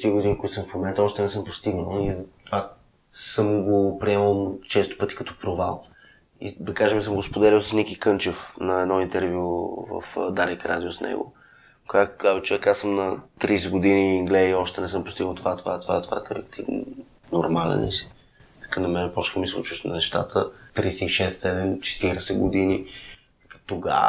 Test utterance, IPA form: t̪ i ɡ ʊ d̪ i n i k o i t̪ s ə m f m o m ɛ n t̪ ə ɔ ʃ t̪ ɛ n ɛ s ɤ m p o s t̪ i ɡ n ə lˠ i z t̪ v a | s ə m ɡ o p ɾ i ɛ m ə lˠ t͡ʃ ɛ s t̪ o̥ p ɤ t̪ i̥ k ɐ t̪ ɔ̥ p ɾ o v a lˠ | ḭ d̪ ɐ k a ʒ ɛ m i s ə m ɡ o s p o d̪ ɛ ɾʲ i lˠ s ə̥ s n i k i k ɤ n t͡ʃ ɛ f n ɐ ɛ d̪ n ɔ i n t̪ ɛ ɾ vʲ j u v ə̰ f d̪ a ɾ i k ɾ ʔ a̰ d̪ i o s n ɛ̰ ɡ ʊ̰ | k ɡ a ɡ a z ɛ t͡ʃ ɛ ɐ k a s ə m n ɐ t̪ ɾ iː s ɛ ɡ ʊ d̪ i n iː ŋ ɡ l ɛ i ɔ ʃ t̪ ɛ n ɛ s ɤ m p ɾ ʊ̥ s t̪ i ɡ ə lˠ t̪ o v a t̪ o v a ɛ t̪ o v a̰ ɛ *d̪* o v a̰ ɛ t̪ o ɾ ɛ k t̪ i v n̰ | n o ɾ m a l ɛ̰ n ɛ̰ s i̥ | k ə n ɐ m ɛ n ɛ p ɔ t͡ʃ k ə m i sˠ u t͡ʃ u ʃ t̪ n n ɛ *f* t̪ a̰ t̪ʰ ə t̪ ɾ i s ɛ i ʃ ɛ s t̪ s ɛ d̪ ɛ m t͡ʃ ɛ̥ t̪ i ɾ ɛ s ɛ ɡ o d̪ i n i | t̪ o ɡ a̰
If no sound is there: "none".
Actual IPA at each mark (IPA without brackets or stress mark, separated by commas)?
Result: t̪, ʃ